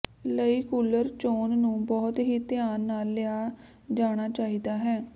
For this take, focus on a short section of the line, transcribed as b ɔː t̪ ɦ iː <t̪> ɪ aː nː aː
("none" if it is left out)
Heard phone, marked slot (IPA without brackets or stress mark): t̪